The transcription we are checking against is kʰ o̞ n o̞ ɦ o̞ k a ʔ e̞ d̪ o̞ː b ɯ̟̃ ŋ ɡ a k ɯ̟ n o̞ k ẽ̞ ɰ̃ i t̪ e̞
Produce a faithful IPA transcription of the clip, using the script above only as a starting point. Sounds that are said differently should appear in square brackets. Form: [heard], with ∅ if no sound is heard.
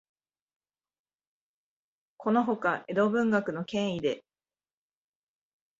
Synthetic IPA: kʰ o̞ n o̞ ɦ o̞ k a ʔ e̞ d̪ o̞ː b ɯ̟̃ ŋ ɡ a k ɯ̟ n o̞ k ẽ̞ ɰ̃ i [d̪] e̞